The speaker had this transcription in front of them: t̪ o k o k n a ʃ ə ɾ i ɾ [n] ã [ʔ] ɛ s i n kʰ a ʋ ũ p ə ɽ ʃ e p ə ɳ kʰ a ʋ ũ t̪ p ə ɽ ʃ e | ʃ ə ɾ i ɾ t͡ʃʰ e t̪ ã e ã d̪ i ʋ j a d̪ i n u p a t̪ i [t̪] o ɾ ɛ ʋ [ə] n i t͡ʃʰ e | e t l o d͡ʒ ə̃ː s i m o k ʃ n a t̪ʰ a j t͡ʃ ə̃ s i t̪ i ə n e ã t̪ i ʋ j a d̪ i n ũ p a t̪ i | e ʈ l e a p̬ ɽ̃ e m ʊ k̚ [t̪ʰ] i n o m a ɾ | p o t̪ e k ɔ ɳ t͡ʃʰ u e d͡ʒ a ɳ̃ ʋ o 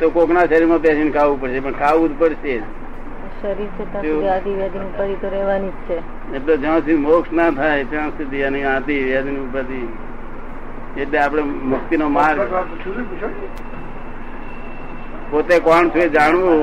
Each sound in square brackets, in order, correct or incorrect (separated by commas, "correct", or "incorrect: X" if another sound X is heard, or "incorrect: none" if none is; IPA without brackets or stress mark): incorrect: m, incorrect: p, correct, incorrect: a, incorrect: t̪